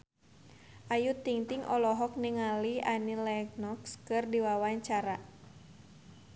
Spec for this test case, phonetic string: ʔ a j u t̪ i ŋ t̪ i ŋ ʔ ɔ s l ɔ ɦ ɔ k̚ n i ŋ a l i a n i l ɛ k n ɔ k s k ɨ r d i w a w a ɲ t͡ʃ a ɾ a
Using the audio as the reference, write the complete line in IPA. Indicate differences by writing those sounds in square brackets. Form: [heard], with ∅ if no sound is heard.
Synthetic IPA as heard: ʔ a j u t̪ i ŋ t̪ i ŋ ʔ ɔ [∅] l ɔ ɦ ɔ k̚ n i ŋ a l i a n i l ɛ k n ɔ k s k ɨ r d i w a w a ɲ t͡ʃ a ɾ a